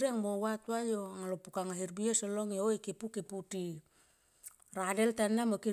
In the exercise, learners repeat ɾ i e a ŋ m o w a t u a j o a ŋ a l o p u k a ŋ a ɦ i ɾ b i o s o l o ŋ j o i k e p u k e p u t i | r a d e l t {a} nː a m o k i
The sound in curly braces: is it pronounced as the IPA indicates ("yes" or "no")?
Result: yes